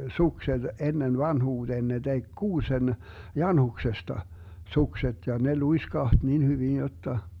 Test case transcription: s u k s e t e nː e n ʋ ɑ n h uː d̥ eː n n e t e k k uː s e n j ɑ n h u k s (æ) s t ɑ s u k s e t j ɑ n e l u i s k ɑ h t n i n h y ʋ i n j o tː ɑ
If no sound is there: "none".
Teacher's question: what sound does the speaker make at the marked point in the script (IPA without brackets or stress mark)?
e